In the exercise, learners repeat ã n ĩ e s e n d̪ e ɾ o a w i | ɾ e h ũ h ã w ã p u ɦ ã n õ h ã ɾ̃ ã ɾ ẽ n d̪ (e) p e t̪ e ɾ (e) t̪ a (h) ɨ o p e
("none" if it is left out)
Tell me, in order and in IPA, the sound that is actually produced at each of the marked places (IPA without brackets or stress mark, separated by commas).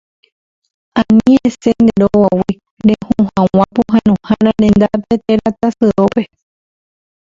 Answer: a, a, s